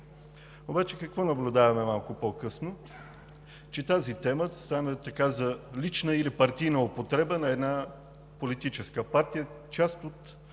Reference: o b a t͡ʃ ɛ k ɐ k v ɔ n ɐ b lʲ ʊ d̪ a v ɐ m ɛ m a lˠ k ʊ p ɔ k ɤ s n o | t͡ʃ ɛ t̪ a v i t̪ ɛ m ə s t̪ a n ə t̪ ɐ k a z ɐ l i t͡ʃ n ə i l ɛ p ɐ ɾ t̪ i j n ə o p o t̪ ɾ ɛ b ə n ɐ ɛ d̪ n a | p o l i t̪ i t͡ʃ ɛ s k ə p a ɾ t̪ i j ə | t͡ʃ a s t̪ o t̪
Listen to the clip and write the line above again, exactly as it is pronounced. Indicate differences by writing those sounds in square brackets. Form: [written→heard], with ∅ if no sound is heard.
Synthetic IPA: o b a t͡ʃ ɛ k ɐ k v ɔ n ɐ b lʲ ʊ d̪ a v ɐ m ɛ m a lˠ k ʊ p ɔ k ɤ s n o | t͡ʃ ɛ t̪ a [v→z] i t̪ ɛ m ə s t̪ a n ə t̪ ɐ k a z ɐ l i t͡ʃ n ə i l [ɛ→i] p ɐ ɾ t̪ i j n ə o p o t̪ ɾ ɛ b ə n ɐ ɛ d̪ n a | p o l i t̪ i t͡ʃ ɛ s k ə p a ɾ t̪ i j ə | t͡ʃ a s t̪ o t̪